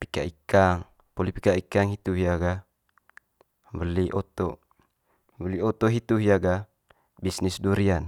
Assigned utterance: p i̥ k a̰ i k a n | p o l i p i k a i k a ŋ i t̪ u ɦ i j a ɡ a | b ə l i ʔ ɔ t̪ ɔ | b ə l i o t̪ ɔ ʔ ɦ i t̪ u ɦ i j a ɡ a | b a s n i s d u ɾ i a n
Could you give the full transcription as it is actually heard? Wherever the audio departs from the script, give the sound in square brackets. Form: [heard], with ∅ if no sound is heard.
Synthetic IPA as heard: p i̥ k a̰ i k a [ŋ] | p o l i p i k a i k a ŋ i t̪ u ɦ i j a ɡ a | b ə l i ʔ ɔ t̪ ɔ | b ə l i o t̪ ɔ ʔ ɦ i t̪ u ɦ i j a ɡ a | b [i] s n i s d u ɾ i a n